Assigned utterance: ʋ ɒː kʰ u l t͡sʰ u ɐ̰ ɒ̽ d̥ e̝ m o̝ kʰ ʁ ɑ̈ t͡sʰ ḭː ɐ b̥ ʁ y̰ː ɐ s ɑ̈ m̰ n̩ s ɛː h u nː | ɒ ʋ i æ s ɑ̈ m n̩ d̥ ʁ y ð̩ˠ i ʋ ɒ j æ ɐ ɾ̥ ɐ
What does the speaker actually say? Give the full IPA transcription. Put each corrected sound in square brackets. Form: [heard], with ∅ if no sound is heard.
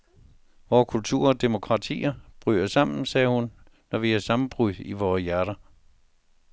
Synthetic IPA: ʋ ɒː kʰ u l t͡sʰ u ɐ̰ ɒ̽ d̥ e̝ m o̝ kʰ ʁ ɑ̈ t͡sʰ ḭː ɐ b̥ ʁ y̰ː ɐ s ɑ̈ m̰ n̩ s ɛː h u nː | ɒ ʋ i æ s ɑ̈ m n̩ [b̥] ʁ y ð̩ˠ i ʋ [ɒː] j æ ɐ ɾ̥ ɐ